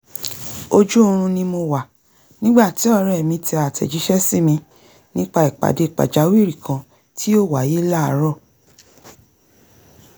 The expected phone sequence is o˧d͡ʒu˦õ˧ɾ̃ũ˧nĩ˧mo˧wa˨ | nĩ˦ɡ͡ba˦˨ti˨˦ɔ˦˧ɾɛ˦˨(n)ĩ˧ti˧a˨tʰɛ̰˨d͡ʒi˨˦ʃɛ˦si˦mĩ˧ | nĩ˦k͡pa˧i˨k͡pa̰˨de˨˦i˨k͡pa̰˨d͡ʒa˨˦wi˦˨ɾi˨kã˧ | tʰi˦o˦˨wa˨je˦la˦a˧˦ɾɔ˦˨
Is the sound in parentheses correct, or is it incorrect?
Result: incorrect